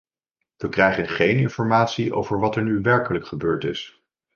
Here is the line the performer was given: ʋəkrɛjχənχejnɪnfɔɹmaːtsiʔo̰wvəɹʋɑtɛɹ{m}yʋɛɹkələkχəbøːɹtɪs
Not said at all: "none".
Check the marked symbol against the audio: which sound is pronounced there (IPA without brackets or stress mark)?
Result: n